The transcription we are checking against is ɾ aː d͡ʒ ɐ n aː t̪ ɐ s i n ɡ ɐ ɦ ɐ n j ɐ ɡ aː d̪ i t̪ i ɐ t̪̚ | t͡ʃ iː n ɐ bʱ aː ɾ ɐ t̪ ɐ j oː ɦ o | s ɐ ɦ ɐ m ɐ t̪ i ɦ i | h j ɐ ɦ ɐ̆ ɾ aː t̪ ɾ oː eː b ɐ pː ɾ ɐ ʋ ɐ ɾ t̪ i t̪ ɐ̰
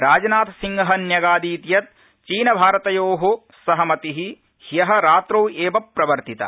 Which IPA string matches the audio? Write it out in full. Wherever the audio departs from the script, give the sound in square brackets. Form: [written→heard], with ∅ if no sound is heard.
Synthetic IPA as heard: ɾ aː d͡ʒ ɐ n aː t̪ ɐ s i [n→ŋ] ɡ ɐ ɦ ɐ n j ɐ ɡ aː d̪ [i→iː] t̪ [i→j] ɐ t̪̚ | t͡ʃ iː n ɐ bʱ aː ɾ ɐ t̪ ɐ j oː ɦ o | s ɐ ɦ ɐ m ɐ t̪ i ɦ i | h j ɐ ɦ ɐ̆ ɾ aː t̪ ɾ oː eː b ɐ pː ɾ ɐ ʋ ɐ ɾ t̪ i t̪ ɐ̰